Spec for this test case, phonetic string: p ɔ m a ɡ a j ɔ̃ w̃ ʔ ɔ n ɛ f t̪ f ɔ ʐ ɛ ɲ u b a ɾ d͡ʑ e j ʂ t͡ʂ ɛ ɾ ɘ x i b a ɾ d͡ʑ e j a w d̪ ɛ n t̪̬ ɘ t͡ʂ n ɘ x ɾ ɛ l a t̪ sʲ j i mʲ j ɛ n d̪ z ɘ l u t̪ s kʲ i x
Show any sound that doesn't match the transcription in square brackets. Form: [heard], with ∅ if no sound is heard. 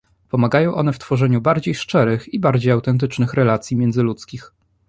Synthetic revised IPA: p ɔ m a ɡ a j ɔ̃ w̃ ʔ ɔ n ɛ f t̪ f ɔ ʐ ɛ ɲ u b a ɾ d͡ʑ e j ʂ t͡ʂ ɛ ɾ ɘ x i b a ɾ d͡ʑ e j a w [t̪] ɛ n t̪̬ ɘ t͡ʂ n ɘ x ɾ ɛ l a t̪ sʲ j i mʲ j ɛ n d̪ z ɘ l u t̪ s kʲ i x